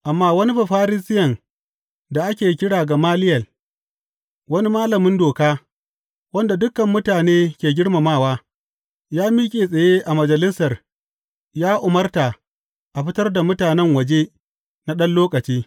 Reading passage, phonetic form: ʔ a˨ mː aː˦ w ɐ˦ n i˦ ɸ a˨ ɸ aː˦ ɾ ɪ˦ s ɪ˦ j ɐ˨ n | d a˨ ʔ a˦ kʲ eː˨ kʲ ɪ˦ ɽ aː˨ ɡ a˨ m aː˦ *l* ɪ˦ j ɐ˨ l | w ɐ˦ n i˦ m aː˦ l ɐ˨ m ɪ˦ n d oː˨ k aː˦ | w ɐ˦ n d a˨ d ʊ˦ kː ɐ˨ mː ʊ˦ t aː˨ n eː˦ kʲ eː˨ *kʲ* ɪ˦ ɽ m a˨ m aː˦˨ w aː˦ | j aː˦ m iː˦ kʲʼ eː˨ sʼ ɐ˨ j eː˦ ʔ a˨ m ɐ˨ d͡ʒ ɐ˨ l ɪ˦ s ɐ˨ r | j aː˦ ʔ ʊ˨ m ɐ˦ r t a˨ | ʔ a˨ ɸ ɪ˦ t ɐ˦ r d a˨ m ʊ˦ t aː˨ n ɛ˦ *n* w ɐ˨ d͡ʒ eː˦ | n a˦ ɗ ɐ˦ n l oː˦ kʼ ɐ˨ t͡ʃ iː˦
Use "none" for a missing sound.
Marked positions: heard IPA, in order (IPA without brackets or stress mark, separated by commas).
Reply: l, ɡʲ, ŋ